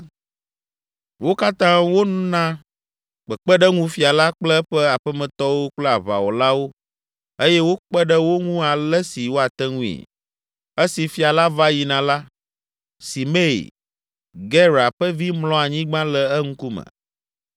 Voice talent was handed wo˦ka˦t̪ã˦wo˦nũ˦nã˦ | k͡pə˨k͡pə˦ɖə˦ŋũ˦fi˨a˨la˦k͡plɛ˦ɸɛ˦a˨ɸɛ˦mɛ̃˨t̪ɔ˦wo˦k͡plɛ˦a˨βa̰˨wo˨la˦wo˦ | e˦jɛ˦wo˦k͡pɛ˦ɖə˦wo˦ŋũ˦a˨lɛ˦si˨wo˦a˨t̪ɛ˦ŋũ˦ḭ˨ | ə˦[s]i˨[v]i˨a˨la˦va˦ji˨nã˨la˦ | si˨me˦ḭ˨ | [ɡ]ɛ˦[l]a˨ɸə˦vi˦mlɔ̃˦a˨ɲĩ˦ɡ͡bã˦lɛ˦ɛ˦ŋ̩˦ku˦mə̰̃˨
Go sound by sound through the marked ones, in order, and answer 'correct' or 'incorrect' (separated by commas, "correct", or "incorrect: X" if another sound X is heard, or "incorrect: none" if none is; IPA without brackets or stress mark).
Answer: correct, incorrect: f, correct, incorrect: ɾ